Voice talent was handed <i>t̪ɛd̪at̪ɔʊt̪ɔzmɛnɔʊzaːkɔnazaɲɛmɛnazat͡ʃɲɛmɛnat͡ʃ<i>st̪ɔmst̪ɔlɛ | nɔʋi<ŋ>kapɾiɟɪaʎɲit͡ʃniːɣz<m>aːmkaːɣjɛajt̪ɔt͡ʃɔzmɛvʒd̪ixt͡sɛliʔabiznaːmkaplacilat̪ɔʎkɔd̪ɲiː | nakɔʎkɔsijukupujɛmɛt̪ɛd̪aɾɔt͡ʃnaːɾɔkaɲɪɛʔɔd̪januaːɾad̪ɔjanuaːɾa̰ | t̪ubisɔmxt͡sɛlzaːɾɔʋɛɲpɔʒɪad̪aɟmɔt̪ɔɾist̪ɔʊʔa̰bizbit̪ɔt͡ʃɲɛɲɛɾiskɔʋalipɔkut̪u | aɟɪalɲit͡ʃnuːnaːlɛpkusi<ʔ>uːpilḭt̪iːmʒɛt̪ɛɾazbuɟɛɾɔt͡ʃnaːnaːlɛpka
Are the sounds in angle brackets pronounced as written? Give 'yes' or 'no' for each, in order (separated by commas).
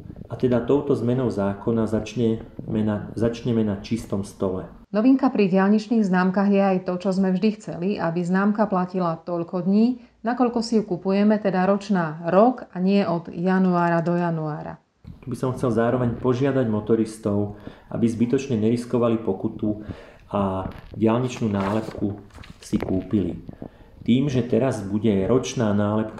no, yes, yes, no, no